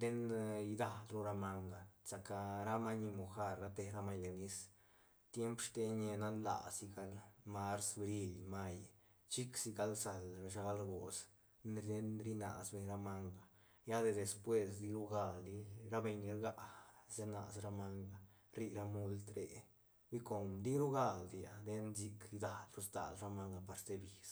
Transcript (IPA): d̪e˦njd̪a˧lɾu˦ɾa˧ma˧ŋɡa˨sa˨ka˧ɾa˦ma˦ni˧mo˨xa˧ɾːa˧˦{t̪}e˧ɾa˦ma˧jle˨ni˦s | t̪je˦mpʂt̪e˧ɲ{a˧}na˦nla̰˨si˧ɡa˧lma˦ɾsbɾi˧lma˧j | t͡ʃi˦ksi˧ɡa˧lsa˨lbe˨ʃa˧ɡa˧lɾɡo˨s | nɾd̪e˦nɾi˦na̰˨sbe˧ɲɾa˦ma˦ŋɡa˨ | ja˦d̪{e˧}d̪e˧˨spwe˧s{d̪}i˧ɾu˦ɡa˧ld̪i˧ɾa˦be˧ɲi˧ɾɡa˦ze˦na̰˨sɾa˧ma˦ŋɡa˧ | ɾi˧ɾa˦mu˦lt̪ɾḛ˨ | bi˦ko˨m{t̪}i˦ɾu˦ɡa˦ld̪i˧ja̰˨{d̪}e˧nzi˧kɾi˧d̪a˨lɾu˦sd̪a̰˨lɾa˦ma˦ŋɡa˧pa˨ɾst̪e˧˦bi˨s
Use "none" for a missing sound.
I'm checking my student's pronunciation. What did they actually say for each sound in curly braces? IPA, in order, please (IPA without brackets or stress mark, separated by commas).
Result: t̪, e˧, e˧, d̪, d̪, d̪